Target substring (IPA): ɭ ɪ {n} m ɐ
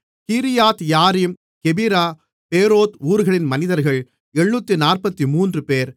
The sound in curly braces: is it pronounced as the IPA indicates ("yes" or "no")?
yes